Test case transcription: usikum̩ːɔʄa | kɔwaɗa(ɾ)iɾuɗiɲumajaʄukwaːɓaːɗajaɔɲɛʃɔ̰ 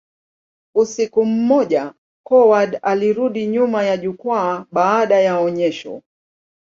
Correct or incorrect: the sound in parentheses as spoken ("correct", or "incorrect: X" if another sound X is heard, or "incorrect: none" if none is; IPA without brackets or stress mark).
incorrect: l